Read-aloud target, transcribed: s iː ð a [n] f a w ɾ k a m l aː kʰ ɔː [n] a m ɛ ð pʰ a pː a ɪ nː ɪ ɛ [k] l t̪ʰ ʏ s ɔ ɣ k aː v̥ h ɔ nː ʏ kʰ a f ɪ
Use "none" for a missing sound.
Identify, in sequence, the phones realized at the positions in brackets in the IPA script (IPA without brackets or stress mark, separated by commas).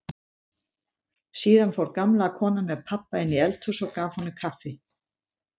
n, n, none